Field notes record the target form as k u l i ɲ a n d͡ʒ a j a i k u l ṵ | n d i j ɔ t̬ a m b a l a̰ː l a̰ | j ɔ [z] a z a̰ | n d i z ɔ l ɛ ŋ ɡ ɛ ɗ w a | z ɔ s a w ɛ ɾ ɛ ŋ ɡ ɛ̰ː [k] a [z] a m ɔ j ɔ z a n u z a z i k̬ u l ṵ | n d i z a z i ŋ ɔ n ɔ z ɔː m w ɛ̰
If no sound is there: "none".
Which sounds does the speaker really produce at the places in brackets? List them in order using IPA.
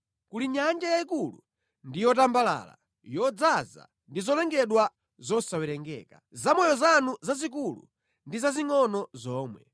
d͡z, k, z

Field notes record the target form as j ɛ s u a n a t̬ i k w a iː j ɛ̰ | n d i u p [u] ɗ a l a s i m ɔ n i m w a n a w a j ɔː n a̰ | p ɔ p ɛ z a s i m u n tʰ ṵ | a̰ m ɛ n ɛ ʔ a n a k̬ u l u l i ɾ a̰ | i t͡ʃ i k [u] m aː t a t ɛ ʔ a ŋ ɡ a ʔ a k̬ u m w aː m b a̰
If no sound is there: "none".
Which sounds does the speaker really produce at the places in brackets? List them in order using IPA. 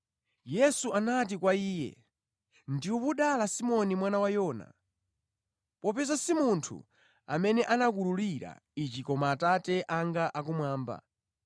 u, ɔ

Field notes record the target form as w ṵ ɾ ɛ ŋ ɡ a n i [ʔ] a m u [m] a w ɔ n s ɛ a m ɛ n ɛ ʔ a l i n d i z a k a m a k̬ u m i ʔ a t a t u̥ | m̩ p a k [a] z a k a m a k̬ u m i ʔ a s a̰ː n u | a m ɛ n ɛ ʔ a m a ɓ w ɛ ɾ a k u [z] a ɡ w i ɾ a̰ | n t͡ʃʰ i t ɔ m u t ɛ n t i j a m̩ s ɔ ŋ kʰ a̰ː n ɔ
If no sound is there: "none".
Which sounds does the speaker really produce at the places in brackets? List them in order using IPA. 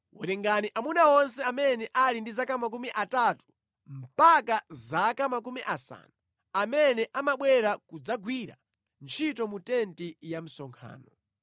ʔ, n, a, d͡z

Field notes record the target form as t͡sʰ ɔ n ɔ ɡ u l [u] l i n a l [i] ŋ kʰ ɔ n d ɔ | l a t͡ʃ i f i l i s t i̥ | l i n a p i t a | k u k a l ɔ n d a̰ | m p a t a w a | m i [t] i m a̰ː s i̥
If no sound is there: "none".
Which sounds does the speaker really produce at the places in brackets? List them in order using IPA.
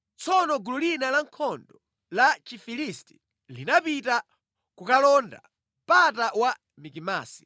u, a, k

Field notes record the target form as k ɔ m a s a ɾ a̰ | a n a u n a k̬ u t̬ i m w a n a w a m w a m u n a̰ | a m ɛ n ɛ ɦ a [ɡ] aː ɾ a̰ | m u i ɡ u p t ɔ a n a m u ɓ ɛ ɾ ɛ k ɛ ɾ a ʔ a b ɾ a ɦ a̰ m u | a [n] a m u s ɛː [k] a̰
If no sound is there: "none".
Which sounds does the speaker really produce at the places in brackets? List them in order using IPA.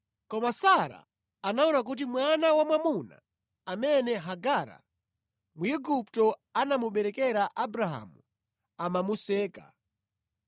ɡ, m, k

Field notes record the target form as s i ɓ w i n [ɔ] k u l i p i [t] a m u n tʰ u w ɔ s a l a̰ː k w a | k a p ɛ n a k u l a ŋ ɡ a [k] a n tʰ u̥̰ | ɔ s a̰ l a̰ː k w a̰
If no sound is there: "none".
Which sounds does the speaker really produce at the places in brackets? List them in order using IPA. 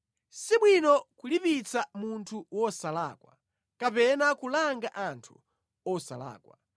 ɔ, t͡s, ʔ

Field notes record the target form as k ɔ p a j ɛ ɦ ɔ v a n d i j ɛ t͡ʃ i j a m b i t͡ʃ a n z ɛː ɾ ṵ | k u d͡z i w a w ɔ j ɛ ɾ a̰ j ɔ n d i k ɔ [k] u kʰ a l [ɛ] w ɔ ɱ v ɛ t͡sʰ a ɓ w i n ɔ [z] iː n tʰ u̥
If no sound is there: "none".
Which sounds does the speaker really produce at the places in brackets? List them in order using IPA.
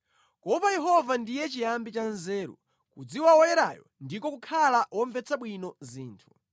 k, a, z

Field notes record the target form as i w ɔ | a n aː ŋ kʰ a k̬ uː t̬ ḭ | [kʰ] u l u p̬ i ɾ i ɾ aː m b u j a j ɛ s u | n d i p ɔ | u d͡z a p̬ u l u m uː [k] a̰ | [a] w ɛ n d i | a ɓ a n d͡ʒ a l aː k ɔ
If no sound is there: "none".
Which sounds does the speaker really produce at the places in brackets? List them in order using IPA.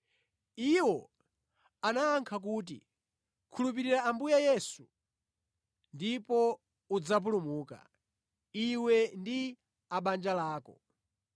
kʰ, k, i

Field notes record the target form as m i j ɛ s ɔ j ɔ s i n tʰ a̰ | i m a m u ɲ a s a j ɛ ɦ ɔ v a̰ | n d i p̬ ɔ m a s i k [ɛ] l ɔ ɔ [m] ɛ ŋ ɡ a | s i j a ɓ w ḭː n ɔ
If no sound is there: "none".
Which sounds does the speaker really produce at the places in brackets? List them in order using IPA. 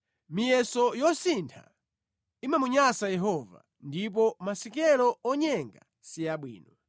ɛ, ɲ

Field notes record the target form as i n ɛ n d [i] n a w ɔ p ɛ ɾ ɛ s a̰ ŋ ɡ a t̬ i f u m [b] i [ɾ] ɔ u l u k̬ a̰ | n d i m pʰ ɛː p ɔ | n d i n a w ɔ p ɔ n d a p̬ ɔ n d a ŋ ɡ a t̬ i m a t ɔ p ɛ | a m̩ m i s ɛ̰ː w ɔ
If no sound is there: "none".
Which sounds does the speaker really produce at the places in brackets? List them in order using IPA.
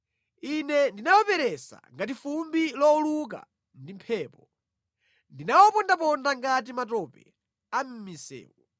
i, b, l

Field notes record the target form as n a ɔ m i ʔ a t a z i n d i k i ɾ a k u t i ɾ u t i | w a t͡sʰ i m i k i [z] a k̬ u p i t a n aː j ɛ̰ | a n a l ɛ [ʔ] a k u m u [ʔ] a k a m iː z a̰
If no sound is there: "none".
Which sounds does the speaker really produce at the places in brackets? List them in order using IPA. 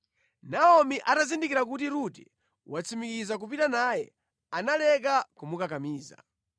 z, k, k

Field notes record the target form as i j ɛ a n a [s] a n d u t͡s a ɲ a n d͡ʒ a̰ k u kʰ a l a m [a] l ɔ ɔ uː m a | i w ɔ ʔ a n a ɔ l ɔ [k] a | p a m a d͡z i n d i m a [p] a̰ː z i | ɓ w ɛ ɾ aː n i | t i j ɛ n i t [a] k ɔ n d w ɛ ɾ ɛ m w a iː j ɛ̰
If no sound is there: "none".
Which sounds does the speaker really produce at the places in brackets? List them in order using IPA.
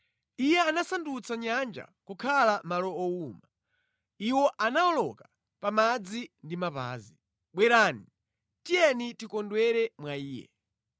s, a, k, p, i

